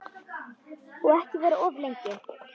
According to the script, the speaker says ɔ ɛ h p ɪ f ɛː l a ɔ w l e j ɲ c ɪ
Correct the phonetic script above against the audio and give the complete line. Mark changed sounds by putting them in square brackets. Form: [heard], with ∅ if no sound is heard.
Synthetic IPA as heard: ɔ ɛ h [c] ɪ [v] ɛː [ɾ] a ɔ [v] l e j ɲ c ɪ